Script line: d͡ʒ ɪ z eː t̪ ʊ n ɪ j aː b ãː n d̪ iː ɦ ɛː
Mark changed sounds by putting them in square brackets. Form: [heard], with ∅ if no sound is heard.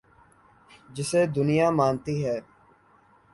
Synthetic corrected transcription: d͡ʒ ɪ [s] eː [d̪] ʊ n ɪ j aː [m] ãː n [t̪] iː ɦ ɛː